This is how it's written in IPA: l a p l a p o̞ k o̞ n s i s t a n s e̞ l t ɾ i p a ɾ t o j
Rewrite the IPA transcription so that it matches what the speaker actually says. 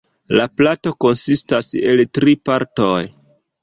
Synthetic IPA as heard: l a p l a t o̞ k o̞ n s i s t a s e̞ l t ɾ i p a ɾ t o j